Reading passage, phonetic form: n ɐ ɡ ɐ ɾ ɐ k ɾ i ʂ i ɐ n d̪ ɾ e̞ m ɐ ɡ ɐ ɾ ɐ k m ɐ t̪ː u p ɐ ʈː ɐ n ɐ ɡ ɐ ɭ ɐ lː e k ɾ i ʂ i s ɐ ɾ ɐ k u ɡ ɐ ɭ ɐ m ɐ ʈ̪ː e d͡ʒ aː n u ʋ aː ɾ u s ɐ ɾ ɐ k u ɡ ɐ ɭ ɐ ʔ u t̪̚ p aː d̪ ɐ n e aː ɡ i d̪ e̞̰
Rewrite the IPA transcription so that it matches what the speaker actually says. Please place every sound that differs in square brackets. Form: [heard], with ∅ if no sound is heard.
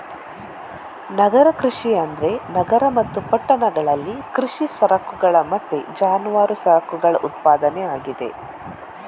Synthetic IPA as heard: n ɐ ɡ ɐ ɾ ɐ k ɾ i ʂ i ɐ n d̪ ɾ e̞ [n] ɐ ɡ ɐ ɾ ɐ [∅] m ɐ t̪ː u p ɐ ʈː ɐ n ɐ ɡ ɐ ɭ ɐ lː [i] k ɾ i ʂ i s ɐ ɾ ɐ k u ɡ ɐ ɭ ɐ m ɐ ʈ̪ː e d͡ʒ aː n u ʋ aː ɾ u s ɐ ɾ ɐ k u ɡ ɐ ɭ ɐ ʔ u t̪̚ p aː d̪ ɐ n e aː ɡ i d̪ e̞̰